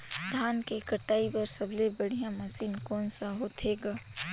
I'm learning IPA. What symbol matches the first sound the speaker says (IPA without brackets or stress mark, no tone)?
d̪ʱ